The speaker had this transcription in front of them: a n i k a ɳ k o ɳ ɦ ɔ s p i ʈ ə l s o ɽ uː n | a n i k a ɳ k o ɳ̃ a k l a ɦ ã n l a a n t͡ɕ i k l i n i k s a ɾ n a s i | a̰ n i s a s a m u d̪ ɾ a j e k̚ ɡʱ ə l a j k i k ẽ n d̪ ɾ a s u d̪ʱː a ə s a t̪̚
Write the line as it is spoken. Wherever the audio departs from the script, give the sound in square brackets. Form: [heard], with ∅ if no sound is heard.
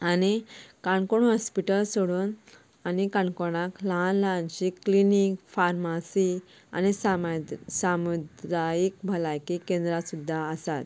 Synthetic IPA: a n i k a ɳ k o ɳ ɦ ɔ s p i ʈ ə l s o ɽ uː n | a n i k a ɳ k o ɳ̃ a k l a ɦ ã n l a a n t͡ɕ i k l i n i k [f] a ɾ [m] a s i | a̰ n i s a s a m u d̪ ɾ a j [i] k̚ [bʱ] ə l a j k i k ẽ n d̪ ɾ a s u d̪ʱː a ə s a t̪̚